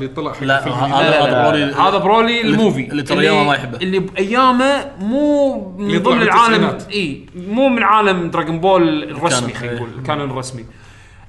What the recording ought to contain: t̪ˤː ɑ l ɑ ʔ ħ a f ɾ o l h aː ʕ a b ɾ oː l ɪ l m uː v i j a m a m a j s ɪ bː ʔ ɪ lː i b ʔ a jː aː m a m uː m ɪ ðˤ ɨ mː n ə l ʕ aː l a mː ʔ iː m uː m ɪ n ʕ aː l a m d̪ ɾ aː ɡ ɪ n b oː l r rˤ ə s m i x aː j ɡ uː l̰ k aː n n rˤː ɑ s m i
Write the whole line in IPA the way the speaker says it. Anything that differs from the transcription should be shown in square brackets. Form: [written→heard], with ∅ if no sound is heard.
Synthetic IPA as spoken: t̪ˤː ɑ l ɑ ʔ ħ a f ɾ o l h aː [ʕ→ð] a b ɾ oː l [ɪ→i] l m uː v i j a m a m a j [s→ħ] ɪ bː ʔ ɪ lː i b ʔ a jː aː m a m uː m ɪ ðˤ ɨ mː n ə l ʕ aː l a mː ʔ iː m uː m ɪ n ʕ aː l a m d̪ ɾ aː ɡ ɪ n b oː l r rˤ [ə→ɑ] s m i x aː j ɡ uː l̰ k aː n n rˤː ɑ s m i